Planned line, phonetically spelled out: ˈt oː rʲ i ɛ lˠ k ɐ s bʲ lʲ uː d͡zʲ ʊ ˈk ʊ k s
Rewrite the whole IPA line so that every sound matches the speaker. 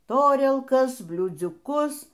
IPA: ˈt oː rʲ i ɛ lˠ k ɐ s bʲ lʲ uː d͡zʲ ʊ ˈk ʊ s